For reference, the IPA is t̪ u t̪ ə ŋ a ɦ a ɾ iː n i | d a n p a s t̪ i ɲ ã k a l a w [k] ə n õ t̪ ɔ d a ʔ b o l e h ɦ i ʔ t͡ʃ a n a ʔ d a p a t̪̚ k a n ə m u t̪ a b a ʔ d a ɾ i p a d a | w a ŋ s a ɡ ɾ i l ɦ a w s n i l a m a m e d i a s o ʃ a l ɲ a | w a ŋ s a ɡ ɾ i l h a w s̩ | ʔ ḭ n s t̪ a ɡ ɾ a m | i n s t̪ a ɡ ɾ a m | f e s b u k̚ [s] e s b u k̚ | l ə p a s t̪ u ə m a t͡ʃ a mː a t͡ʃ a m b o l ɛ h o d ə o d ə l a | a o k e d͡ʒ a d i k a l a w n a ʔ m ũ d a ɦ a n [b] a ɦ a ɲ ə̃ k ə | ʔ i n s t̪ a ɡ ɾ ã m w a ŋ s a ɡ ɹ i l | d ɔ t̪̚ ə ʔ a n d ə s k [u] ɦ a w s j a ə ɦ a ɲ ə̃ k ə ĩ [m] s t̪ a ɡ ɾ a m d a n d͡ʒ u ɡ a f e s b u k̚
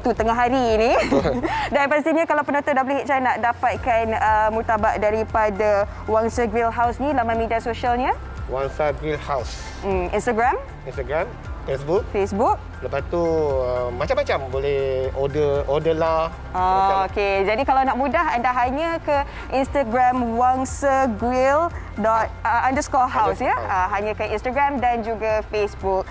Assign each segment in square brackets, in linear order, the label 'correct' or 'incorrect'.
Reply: incorrect: p, incorrect: f, incorrect: d, incorrect: ɔ, incorrect: n

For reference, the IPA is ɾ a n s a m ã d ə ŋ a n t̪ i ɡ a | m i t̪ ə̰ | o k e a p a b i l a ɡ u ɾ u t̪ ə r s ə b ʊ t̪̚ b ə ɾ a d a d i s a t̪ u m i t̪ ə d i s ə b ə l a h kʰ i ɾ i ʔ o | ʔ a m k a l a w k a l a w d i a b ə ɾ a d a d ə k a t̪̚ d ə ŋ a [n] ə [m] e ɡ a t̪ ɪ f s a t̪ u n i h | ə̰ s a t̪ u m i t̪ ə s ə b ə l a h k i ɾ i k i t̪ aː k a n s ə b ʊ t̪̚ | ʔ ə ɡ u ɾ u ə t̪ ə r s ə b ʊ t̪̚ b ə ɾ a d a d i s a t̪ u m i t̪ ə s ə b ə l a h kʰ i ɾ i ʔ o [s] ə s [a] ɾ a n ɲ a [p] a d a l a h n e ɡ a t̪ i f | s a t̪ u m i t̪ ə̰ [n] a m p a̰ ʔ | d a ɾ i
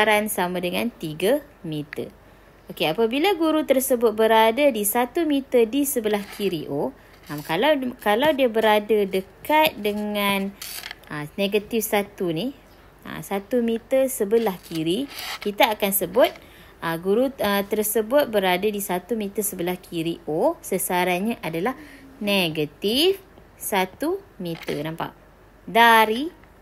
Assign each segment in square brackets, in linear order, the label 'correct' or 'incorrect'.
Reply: correct, incorrect: n, correct, correct, incorrect: ʔ, correct

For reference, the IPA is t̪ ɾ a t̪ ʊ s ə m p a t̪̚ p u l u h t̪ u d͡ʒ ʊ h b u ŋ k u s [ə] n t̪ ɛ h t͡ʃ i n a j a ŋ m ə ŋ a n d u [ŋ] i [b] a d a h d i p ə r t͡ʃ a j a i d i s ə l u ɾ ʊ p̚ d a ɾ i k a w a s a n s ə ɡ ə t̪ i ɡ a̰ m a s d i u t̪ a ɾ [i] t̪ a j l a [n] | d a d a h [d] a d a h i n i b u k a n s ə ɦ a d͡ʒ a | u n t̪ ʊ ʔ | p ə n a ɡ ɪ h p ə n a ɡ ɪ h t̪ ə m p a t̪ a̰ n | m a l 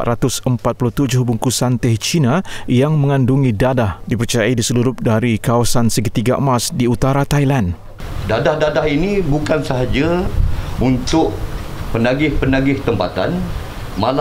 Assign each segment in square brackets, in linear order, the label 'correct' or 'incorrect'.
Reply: incorrect: a, correct, incorrect: d, incorrect: a, correct, correct

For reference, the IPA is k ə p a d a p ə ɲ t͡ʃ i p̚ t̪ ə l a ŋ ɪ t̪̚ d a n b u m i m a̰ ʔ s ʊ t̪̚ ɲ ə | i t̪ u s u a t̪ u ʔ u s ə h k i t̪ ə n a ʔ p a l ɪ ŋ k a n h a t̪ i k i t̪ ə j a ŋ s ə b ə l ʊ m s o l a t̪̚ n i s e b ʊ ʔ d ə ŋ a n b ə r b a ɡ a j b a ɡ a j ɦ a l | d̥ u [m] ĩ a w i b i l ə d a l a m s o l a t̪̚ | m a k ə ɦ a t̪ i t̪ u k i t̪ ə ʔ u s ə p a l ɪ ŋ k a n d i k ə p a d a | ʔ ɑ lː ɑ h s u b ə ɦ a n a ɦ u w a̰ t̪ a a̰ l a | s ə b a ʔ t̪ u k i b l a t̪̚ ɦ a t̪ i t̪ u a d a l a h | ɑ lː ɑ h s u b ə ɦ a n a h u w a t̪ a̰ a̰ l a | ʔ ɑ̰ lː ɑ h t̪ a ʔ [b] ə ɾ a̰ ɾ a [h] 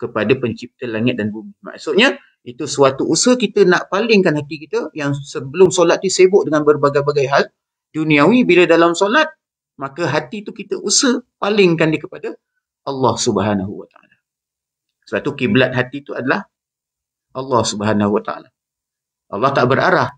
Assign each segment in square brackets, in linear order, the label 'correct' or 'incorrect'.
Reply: incorrect: n, correct, correct

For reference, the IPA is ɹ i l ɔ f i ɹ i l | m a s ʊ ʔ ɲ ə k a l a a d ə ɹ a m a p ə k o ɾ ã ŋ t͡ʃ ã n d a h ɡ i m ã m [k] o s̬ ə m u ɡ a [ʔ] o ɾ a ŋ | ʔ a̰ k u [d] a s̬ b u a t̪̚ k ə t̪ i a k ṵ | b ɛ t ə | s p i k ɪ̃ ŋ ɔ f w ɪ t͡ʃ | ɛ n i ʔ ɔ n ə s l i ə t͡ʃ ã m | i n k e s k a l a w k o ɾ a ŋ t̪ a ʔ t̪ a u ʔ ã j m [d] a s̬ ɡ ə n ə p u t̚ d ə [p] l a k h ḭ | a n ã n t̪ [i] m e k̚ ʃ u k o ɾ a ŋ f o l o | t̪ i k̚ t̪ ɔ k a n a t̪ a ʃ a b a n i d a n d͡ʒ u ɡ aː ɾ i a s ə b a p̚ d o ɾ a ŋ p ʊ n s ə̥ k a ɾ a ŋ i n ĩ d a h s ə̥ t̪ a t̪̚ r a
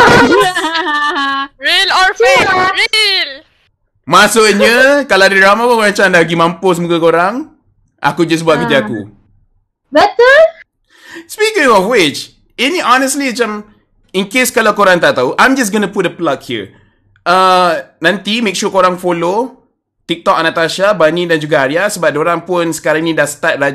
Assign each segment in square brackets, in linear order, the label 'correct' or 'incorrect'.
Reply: incorrect: p, incorrect: k, incorrect: d͡ʒ, incorrect: d͡ʒ, correct, correct

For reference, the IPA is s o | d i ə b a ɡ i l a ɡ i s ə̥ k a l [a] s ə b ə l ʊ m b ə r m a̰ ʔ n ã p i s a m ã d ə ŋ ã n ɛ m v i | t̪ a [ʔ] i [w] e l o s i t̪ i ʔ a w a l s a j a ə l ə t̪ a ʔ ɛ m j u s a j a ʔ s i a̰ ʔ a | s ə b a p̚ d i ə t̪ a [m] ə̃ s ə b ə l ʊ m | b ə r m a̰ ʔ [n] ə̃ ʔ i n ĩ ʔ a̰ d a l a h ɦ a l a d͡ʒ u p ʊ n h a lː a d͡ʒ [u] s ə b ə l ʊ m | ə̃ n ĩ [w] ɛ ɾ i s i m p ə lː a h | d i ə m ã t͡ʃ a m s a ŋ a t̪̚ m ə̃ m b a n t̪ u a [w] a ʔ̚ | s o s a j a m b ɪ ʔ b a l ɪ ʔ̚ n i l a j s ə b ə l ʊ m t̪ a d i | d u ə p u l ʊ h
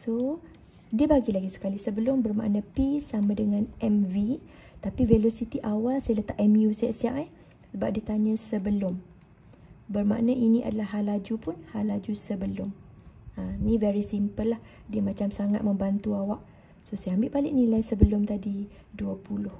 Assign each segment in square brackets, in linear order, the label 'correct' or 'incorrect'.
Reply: incorrect: i, incorrect: p, incorrect: v, incorrect: ɲ, correct, correct, incorrect: v, correct

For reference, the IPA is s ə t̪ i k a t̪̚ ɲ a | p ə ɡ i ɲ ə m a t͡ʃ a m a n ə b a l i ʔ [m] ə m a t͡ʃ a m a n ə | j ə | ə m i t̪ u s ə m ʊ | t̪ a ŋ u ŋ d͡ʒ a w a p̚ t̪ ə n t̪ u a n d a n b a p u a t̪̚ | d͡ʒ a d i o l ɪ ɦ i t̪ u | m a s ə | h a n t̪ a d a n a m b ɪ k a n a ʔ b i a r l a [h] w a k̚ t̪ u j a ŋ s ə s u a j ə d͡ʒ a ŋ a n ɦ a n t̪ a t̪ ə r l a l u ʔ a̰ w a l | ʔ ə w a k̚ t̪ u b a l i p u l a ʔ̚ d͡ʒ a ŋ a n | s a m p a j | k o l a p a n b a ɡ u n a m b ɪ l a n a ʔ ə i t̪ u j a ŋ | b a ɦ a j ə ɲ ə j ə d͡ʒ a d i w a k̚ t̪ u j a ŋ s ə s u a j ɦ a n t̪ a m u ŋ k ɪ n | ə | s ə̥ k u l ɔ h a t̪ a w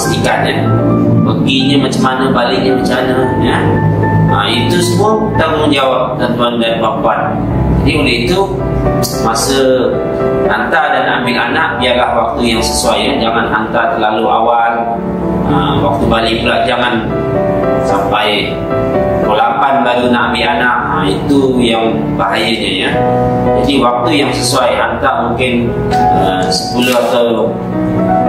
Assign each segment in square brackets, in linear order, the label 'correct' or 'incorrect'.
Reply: incorrect: ɲ, correct

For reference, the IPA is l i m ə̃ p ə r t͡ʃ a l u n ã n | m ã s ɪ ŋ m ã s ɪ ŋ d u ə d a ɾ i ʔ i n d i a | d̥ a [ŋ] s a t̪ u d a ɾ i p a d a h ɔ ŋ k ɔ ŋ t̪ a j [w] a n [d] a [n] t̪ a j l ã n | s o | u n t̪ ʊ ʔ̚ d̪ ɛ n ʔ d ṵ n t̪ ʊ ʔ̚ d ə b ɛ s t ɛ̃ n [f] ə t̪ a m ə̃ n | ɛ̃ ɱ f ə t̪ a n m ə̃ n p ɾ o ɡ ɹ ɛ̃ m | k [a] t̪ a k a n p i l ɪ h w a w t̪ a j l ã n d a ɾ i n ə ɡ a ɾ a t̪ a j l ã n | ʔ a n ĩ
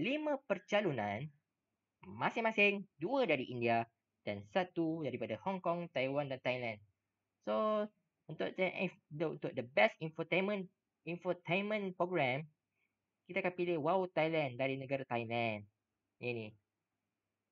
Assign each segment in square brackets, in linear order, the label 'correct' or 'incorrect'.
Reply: incorrect: n, correct, correct, correct, correct, incorrect: i

